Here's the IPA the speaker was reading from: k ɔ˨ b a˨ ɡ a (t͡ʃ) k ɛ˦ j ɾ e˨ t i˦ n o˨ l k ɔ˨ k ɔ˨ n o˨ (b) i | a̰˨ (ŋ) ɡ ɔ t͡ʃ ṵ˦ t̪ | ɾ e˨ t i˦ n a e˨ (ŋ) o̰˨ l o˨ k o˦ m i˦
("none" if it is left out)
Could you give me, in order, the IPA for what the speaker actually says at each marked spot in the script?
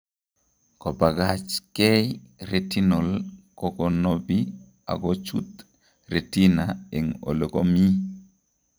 t͡ʃ, b, none, ŋ

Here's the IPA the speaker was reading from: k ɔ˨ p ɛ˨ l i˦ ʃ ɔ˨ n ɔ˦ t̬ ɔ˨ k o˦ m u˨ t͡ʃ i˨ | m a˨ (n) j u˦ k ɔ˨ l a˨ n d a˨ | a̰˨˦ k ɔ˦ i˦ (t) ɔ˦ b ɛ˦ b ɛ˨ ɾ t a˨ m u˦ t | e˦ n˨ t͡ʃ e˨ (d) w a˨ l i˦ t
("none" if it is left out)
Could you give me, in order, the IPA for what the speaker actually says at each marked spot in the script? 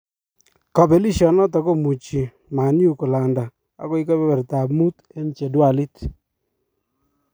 n, k, d

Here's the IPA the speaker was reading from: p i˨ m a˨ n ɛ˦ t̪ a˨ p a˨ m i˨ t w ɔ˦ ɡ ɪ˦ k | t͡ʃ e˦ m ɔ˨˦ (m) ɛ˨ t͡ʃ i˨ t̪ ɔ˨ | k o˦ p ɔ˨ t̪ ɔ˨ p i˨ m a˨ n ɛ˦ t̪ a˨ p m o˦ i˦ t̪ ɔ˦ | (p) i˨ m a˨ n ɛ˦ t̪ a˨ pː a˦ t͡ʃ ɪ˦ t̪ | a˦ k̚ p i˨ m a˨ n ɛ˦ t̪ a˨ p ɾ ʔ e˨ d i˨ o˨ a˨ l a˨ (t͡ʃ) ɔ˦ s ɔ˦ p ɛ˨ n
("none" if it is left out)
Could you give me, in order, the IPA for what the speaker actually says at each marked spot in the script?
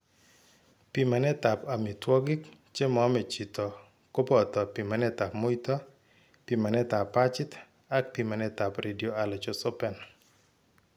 m, p, t͡ʃ

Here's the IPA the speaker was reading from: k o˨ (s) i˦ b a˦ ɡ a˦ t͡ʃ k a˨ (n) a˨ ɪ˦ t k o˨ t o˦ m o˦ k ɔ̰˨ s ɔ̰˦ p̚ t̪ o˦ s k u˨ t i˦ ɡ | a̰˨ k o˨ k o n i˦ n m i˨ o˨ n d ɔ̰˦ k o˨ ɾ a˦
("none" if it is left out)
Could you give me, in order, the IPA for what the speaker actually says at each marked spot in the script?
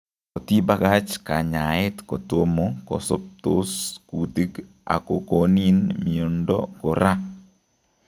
t, ɲ

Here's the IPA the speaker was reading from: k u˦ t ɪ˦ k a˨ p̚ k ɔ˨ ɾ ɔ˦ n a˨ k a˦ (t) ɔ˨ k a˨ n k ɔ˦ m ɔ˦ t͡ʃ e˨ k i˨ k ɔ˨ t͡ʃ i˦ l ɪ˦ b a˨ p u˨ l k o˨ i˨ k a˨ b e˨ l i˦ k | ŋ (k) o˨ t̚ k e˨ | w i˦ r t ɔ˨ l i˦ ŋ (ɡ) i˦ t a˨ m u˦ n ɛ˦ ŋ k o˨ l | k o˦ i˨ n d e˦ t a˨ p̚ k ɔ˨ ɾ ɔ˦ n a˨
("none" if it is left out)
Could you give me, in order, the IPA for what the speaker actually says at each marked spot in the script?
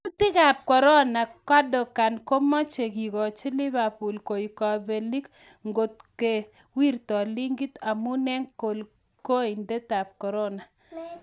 d, ɡ, ɡ

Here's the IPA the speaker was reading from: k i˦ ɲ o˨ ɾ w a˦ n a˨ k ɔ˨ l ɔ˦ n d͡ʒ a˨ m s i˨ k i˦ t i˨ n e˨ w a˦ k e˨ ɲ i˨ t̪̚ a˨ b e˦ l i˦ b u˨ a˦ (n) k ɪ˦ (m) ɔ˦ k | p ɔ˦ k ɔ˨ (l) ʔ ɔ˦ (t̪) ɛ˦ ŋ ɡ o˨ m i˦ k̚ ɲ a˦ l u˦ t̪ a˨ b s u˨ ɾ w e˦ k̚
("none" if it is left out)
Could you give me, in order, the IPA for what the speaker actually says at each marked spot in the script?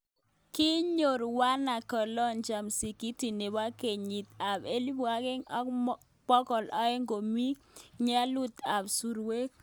none, ŋ, l, none

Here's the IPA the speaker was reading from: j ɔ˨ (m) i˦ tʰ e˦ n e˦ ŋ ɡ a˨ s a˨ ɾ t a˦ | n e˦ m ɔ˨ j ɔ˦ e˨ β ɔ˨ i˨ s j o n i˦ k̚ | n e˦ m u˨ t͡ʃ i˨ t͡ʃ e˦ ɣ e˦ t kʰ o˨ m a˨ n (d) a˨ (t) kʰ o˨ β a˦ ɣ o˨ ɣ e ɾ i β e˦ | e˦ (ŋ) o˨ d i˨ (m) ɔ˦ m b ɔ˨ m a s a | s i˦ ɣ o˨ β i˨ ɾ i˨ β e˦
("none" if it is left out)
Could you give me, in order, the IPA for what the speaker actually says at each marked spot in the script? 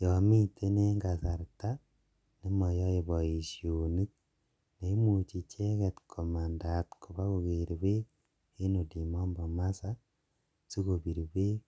m, d, t, n, m

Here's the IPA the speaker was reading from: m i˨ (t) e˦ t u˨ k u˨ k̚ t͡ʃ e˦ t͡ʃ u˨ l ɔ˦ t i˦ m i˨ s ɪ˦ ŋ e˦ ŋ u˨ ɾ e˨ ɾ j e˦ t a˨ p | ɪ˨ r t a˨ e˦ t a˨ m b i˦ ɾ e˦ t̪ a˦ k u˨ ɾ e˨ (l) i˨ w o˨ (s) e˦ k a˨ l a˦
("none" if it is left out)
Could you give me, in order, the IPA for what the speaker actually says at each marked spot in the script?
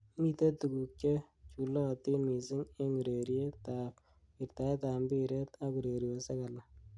t, ɾ, s

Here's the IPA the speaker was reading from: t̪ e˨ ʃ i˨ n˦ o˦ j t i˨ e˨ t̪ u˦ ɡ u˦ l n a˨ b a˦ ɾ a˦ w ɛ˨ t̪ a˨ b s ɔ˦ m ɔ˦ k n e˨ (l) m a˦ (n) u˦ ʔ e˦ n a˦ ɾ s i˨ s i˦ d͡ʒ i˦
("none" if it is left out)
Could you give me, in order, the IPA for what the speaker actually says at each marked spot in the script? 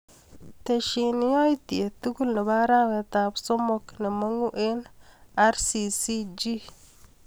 none, ŋ

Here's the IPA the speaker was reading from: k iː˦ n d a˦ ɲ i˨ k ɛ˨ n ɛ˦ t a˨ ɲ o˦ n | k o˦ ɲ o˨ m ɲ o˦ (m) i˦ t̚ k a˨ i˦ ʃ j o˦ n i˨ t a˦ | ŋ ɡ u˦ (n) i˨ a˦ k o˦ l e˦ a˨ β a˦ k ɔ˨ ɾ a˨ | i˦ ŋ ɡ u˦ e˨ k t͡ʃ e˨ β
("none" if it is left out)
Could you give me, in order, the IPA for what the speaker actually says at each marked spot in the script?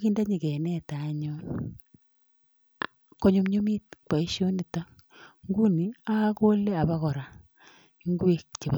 m, n

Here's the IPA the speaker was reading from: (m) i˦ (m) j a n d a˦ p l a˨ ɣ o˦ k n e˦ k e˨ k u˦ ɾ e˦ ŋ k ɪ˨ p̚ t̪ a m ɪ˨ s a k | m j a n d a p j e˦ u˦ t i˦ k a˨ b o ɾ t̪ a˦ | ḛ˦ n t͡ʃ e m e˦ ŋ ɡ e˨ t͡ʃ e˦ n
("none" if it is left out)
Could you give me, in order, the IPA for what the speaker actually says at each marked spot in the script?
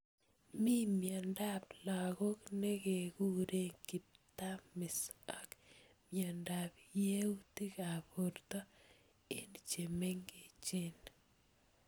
m, m

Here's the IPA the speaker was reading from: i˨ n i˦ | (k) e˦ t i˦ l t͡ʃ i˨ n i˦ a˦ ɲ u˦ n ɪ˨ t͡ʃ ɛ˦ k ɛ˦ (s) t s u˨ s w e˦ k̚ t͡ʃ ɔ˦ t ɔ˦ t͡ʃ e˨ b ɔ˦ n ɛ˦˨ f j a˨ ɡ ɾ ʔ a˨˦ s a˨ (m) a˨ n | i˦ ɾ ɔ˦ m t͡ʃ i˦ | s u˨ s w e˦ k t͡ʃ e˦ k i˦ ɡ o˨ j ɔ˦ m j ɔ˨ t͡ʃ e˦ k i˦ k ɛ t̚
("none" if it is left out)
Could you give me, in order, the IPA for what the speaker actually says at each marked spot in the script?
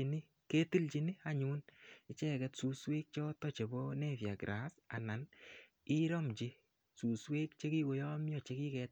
k, none, n

